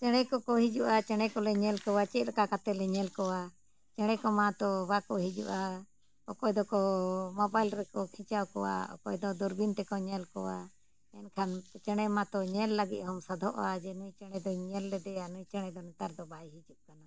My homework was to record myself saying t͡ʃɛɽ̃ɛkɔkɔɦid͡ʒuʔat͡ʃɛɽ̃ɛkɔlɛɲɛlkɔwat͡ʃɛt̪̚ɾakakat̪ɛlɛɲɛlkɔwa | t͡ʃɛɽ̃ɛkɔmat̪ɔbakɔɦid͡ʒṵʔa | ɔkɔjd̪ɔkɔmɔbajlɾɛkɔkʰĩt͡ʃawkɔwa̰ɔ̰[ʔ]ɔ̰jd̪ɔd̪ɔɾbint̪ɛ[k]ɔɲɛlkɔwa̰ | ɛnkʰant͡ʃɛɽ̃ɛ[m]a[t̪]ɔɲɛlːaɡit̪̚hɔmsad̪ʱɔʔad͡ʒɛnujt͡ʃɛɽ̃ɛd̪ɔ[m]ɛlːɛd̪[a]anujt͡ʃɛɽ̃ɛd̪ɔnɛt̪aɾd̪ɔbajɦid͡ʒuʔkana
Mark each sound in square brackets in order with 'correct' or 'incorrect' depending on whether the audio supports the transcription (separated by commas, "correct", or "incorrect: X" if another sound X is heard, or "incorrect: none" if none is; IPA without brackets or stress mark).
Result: incorrect: k, correct, correct, correct, incorrect: ɲ, incorrect: ɛ